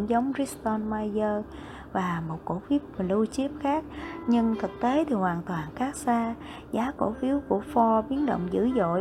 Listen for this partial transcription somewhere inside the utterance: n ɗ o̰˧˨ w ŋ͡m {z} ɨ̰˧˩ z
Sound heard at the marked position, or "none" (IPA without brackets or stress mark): z